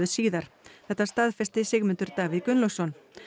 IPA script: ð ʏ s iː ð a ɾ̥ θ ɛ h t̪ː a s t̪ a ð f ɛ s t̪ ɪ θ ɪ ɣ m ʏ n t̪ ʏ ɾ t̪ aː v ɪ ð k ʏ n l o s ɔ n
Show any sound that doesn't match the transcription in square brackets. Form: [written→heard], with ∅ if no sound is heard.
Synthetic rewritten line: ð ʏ s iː ð a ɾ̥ θ ɛ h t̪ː a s t̪ a ð f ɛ s t̪ ɪ [θ→s] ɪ ɣ m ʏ n t̪ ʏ ɾ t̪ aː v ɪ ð k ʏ n l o s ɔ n